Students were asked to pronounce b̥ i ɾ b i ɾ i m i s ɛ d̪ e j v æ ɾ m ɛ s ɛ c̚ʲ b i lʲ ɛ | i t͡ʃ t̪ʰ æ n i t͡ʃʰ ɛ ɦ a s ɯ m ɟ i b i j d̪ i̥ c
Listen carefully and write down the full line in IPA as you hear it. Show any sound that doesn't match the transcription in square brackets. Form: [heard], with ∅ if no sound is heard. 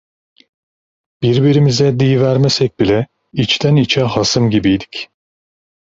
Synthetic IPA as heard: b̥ i ɾ b i ɾ i m i [z] ɛ d̪ [i] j v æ ɾ m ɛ s ɛ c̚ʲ b i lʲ ɛ | i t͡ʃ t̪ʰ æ n i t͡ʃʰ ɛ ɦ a s ɯ m ɟ i b i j d̪ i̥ c